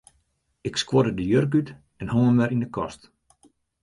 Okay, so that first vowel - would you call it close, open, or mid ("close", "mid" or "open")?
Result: close